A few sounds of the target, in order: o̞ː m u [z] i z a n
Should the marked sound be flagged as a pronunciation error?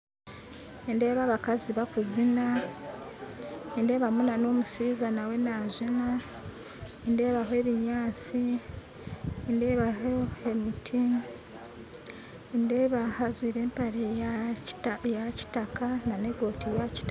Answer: yes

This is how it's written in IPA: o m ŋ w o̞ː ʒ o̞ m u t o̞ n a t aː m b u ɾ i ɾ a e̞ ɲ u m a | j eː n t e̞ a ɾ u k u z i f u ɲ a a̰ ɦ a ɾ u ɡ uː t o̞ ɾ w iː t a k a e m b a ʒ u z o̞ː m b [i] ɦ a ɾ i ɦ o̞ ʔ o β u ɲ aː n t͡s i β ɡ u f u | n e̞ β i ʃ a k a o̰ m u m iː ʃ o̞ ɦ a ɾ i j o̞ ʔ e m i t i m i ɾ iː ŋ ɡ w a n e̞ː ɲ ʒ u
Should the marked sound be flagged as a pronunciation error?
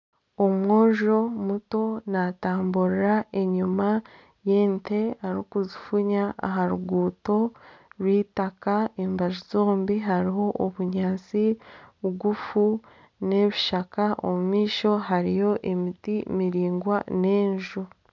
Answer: no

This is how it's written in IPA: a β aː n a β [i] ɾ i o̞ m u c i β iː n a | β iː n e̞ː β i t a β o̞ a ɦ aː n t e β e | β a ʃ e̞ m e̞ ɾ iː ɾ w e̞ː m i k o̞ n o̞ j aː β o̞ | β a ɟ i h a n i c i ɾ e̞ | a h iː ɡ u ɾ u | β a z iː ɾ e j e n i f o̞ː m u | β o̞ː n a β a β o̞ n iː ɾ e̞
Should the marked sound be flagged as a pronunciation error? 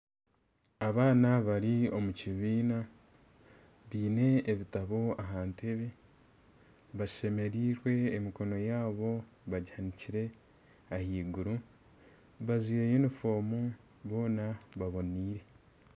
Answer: yes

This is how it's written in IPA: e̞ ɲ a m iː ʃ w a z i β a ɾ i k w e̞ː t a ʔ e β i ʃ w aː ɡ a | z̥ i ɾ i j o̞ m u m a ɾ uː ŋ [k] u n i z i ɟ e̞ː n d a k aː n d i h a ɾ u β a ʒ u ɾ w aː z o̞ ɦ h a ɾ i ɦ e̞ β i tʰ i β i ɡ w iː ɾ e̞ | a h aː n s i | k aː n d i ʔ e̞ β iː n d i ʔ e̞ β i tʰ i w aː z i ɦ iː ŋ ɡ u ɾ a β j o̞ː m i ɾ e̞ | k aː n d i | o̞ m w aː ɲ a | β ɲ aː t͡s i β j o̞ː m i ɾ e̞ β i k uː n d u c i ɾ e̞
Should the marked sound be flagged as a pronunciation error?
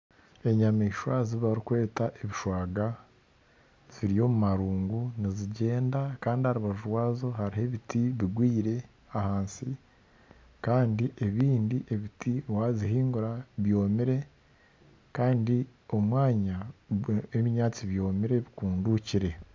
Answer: yes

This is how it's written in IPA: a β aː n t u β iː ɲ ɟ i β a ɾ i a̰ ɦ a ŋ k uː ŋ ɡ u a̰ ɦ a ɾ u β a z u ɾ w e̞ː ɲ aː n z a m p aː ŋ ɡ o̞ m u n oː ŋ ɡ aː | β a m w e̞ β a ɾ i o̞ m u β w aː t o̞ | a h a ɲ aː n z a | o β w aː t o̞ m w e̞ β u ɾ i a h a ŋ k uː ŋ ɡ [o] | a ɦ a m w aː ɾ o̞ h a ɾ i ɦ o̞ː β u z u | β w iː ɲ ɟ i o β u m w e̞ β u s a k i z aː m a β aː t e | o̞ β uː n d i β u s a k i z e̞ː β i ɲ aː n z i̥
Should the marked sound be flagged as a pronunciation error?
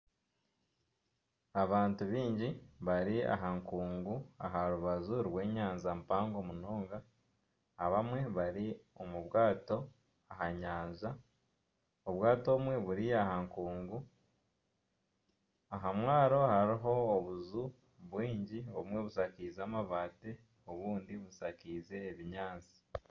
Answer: yes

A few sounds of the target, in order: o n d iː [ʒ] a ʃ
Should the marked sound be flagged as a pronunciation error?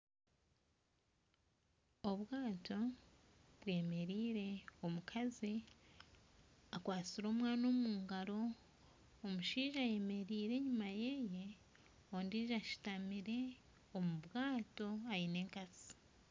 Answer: no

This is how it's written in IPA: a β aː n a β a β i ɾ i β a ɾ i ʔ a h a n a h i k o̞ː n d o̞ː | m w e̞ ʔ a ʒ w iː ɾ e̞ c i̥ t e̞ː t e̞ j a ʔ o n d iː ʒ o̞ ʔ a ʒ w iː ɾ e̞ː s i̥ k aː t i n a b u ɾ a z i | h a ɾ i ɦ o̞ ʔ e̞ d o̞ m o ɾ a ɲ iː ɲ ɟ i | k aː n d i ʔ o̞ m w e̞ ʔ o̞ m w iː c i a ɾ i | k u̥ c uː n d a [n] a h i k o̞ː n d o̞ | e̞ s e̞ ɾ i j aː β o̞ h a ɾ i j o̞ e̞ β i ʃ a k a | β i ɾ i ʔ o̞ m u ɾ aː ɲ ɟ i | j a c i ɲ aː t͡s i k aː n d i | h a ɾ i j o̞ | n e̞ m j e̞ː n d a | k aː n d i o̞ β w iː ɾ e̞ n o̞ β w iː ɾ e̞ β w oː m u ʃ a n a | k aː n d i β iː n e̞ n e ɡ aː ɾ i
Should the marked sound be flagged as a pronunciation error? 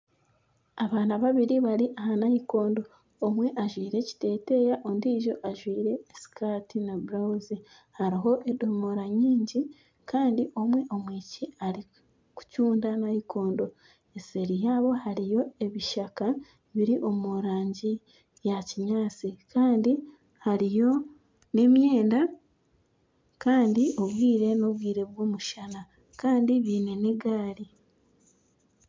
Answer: no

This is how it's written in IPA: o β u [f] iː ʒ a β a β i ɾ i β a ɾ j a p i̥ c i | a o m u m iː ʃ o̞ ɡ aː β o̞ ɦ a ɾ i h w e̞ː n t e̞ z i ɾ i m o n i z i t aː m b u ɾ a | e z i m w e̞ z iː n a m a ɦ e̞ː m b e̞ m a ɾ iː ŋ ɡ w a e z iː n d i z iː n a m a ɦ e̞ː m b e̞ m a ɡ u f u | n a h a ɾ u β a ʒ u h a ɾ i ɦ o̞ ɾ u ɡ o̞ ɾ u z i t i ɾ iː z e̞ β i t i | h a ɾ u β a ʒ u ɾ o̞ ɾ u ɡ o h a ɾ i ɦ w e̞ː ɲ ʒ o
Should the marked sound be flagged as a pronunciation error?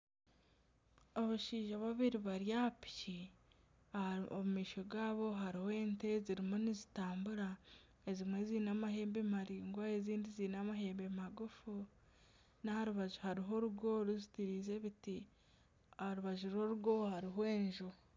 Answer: yes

